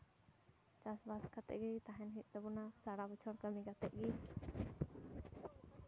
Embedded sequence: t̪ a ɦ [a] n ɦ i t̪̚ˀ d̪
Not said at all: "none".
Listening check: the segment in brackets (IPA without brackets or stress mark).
ɛ